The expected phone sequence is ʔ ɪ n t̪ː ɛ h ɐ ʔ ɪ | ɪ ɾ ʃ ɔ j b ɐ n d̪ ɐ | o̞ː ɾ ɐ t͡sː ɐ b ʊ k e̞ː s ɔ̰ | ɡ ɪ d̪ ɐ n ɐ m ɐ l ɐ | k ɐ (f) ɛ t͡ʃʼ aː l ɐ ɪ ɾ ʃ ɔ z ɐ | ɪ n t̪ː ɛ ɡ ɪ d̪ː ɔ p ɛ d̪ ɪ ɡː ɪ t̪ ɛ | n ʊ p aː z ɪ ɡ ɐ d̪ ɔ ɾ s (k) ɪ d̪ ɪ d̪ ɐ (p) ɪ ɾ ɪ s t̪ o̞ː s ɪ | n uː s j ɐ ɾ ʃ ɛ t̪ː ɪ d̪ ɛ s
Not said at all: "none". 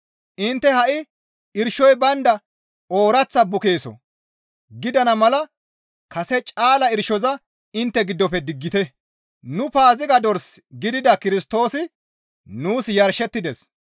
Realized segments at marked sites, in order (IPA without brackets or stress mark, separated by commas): s, ɡ, k